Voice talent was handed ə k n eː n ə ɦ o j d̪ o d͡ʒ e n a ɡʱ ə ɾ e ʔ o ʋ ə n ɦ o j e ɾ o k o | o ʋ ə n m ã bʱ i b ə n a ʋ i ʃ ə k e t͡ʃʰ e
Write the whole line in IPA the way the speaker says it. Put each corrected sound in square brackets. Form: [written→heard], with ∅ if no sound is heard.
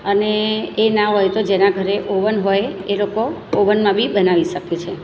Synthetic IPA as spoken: ə [k→∅] n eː n [ə→a] ɦ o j [d̪→t̪] o d͡ʒ e n a ɡʱ ə ɾ e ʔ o ʋ ə n ɦ o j e [ɾ→l] o k o | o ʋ ə n m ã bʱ i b ə n a ʋ i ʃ ə k e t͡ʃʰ e